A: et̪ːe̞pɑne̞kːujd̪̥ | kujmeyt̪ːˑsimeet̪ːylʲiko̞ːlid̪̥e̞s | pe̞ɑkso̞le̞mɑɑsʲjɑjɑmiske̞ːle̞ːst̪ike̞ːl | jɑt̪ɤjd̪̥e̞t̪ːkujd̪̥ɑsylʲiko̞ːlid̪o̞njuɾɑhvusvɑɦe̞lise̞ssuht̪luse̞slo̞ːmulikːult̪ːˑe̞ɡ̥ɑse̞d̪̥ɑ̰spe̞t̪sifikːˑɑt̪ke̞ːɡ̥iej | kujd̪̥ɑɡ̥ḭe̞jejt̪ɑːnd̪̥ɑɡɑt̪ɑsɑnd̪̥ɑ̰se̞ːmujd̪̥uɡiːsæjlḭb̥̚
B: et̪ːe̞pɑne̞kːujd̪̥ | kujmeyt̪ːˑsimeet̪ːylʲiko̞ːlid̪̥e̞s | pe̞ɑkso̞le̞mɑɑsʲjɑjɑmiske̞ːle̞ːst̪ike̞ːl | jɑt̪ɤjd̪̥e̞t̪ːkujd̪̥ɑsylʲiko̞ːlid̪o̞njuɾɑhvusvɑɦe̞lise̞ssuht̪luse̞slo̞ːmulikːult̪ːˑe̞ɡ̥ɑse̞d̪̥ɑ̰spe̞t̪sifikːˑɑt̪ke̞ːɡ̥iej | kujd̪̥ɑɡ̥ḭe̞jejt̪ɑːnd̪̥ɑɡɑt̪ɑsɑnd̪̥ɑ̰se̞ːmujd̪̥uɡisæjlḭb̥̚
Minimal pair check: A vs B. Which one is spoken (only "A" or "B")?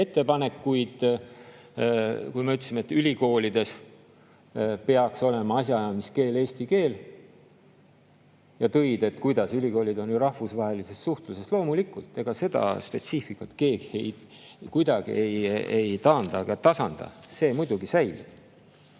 B